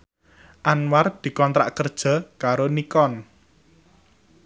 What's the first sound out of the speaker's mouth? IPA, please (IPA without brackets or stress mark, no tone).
ʔ